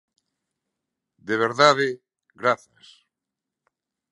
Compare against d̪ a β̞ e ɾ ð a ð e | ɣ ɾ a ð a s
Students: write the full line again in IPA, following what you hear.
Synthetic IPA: d̪ e β̞ e ɾ ð a ð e | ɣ ɾ a θ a s